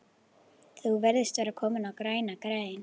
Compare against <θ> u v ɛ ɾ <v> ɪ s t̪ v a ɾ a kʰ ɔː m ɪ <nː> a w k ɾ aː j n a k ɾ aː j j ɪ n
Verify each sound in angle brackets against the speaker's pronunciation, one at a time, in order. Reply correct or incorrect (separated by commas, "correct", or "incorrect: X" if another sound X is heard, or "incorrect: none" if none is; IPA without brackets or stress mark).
correct, incorrect: ð, incorrect: n